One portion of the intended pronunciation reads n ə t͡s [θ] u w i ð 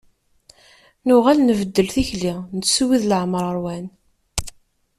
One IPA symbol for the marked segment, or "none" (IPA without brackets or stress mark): s